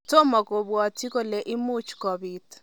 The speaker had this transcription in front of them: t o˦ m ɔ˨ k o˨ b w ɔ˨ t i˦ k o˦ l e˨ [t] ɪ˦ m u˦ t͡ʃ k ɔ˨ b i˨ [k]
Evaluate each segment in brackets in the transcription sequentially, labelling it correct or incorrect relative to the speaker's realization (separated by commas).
incorrect, incorrect